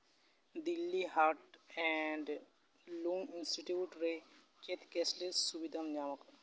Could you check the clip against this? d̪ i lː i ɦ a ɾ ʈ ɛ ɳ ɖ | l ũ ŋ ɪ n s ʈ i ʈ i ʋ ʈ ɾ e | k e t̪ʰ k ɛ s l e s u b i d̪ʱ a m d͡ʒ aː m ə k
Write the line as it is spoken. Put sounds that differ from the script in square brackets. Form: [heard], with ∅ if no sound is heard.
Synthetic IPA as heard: d̪ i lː i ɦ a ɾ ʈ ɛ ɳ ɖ | l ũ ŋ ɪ n s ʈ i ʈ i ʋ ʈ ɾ e | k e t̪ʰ k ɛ s l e s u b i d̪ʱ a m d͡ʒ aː m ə k